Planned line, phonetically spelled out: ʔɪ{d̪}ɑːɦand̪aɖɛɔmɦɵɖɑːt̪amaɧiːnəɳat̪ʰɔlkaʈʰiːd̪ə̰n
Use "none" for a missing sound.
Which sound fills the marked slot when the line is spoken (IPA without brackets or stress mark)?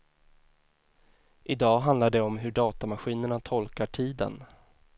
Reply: d̪